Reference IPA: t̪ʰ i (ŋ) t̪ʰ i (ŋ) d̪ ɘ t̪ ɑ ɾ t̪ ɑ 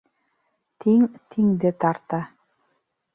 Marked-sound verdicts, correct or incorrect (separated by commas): correct, correct